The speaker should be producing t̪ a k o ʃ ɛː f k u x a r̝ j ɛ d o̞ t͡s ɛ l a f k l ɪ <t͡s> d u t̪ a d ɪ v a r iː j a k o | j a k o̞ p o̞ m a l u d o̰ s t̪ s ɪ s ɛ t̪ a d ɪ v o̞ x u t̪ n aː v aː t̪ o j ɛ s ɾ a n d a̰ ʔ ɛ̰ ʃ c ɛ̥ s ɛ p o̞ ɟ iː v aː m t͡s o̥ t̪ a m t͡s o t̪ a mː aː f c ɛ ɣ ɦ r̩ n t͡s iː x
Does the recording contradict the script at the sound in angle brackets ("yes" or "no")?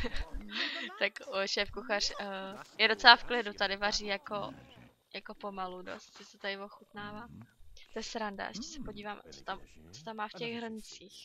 yes